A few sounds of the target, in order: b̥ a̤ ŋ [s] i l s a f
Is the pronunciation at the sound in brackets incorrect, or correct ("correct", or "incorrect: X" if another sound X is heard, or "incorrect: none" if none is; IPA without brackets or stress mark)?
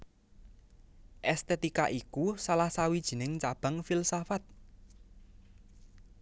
incorrect: f